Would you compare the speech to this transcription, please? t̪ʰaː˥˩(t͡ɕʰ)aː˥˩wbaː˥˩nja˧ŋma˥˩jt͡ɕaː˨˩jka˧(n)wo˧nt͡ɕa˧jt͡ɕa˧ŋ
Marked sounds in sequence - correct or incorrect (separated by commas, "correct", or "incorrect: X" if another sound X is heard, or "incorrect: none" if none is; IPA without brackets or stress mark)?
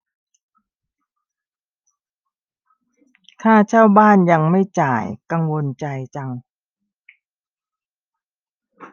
correct, incorrect: ŋ